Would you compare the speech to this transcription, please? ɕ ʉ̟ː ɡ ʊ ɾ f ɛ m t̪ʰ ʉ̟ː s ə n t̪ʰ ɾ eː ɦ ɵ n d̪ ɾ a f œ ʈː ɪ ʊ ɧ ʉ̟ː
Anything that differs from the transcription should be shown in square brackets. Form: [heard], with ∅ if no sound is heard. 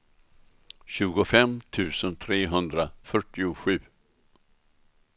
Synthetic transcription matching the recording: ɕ ʉ̟ː ɡ ʊ [∅] f ɛ m t̪ʰ ʉ̟ː s ə n t̪ʰ ɾ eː ɦ ɵ n d̪ ɾ a f œ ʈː ɪ ʊ ɧ ʉ̟ː